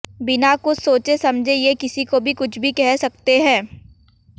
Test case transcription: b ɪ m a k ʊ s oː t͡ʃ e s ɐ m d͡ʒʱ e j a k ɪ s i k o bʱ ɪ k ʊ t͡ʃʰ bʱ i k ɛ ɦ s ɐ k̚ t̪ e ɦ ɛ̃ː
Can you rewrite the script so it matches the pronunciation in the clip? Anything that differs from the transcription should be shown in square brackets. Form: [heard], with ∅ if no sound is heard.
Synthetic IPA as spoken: b ɪ [n] a k ʊ s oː t͡ʃ e s ɐ m d͡ʒʱ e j [e] k ɪ s i k o bʱ [i] k ʊ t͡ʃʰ bʱ i k ɛ ɦ s ɐ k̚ t̪ e ɦ ɛ̃ː